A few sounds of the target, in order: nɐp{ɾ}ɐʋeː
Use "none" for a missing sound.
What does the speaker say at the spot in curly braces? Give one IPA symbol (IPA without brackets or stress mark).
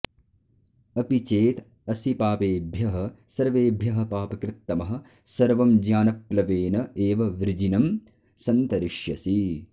l